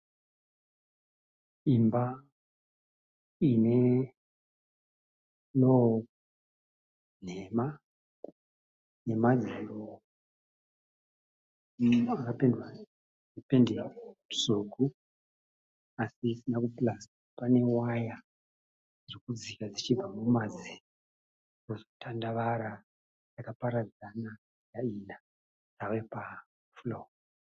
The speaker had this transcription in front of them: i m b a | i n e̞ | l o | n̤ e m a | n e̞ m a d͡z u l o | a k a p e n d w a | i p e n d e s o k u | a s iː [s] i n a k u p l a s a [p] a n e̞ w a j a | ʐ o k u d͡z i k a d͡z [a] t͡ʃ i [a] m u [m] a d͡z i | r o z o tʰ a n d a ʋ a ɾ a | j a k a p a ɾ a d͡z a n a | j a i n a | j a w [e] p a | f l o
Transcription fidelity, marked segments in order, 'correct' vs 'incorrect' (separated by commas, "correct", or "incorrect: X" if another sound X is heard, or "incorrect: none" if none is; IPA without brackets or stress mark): correct, correct, incorrect: i, correct, correct, correct